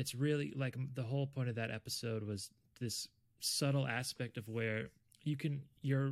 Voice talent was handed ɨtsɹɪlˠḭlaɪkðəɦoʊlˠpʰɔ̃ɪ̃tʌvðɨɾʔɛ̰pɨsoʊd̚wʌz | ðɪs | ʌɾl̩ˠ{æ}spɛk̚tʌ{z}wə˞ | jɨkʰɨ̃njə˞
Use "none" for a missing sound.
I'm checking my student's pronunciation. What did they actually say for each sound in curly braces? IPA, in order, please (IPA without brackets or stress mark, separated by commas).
æ, v